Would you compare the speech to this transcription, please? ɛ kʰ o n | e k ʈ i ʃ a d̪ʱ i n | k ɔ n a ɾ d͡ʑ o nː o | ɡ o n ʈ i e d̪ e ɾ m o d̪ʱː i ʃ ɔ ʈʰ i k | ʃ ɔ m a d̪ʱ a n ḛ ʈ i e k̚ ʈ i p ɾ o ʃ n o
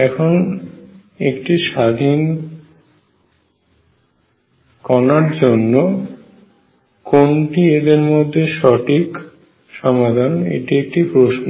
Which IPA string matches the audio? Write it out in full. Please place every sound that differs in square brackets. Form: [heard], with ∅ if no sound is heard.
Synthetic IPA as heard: ɛ kʰ o n | e k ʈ i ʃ a d̪ʱ i n | k ɔ n a ɾ d͡ʑ o nː o | [k] o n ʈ i e d̪ e ɾ m o d̪ʱː [e] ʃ ɔ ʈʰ i k | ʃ ɔ m a d̪ʱ a n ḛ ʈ i e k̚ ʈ i p ɾ o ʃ n o